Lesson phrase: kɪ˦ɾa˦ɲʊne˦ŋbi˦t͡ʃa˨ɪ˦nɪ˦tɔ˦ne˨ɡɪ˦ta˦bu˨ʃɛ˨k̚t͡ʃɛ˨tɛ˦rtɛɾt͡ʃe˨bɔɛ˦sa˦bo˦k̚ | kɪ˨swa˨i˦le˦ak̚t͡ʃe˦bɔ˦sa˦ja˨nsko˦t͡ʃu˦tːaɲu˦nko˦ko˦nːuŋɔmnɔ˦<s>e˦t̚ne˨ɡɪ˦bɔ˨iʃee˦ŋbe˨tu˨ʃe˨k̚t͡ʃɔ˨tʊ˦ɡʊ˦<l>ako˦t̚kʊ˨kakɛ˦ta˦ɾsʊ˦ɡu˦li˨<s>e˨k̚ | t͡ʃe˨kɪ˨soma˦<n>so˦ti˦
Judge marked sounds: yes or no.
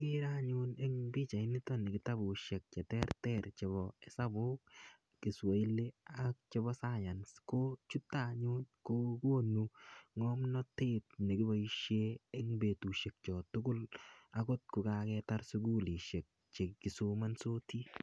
no, yes, no, yes

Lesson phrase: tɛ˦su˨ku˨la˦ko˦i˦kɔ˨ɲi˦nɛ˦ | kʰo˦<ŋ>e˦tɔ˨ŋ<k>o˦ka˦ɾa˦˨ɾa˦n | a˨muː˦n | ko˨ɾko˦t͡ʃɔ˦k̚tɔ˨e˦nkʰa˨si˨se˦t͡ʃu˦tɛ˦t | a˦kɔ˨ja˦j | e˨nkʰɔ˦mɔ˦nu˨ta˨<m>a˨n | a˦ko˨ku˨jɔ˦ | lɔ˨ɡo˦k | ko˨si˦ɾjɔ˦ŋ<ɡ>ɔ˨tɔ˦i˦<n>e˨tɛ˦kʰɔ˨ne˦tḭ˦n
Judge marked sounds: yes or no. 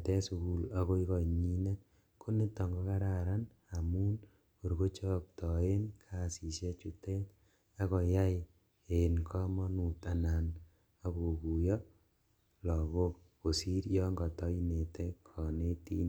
no, no, no, yes, yes

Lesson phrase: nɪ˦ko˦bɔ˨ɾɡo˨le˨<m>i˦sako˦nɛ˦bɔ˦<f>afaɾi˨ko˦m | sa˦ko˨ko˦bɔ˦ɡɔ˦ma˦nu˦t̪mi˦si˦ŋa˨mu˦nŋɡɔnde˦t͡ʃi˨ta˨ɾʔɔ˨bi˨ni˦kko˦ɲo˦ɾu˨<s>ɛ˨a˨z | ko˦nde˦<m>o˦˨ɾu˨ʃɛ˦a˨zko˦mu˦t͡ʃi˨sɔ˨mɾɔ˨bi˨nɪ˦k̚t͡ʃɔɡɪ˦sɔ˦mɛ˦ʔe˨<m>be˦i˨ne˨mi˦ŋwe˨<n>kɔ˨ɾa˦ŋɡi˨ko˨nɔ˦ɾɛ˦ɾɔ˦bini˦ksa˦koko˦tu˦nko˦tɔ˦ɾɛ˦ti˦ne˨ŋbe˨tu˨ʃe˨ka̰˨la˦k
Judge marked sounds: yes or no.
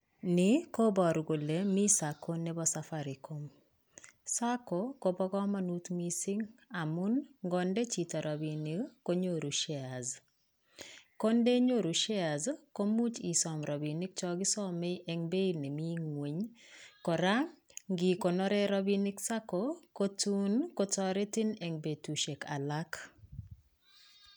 yes, no, no, no, no, no

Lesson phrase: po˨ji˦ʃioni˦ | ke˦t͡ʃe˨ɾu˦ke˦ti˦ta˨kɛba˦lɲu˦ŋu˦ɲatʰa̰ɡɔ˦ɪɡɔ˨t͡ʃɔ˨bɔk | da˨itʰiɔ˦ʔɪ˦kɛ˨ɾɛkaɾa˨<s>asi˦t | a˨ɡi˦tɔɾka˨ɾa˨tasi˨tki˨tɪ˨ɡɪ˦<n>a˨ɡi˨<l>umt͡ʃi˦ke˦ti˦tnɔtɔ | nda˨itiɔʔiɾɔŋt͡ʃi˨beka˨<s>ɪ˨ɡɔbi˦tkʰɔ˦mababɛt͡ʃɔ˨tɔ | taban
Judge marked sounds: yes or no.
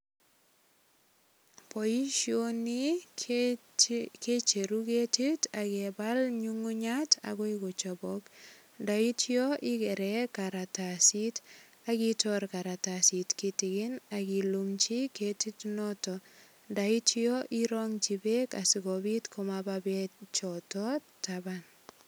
no, yes, yes, yes

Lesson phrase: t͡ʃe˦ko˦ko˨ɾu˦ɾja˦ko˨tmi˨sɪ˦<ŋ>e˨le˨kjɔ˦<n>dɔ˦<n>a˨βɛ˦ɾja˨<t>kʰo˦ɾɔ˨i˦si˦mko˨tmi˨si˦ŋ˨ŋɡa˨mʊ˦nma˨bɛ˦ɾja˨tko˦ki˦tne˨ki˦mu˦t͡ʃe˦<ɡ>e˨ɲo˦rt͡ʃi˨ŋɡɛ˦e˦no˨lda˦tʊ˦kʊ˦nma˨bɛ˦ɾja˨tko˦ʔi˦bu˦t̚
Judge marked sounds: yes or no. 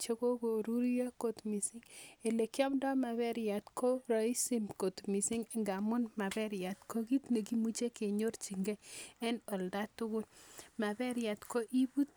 yes, no, no, yes, no

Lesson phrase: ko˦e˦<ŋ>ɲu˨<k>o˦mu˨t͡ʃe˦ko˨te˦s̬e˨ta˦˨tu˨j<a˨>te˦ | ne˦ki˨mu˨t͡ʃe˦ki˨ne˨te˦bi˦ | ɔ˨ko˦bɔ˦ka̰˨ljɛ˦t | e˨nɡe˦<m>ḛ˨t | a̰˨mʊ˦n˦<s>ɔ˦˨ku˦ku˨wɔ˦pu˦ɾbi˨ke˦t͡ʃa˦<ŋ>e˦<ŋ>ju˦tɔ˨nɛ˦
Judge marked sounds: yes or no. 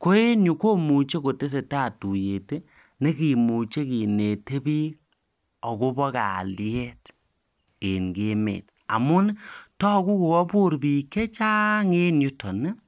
no, yes, no, yes, no, yes, no

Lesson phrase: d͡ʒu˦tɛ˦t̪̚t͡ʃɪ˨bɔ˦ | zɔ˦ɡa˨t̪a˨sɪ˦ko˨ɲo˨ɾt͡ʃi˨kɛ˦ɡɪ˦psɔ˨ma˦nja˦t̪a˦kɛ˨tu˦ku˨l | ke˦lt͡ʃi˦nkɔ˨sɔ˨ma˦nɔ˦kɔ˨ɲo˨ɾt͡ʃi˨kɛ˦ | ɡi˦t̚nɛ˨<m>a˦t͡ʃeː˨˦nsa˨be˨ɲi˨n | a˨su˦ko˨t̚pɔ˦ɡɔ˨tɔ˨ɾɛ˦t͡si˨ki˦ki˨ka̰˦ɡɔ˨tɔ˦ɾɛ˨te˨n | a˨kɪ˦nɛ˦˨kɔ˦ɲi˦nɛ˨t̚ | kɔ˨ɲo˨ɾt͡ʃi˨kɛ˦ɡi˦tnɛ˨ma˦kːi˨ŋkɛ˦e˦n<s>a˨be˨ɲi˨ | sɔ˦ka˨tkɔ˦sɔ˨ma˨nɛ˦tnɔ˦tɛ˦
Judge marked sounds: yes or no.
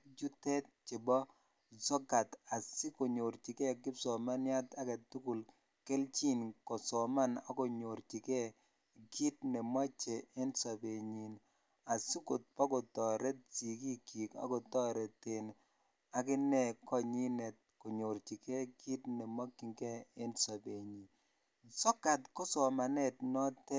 yes, yes

